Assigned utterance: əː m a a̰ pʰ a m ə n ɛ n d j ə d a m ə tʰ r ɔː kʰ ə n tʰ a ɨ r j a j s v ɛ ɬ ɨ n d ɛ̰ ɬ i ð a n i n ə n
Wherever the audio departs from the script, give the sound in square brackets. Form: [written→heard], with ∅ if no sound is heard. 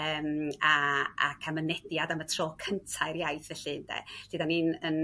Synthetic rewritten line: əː m a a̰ [pʰ→kʰ] a m ə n ɛ [n→∅] d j [ə→a] d a m ə tʰ r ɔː kʰ ə n tʰ a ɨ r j a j [s→θ] v ɛ ɬ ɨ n d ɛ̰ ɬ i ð a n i n ə n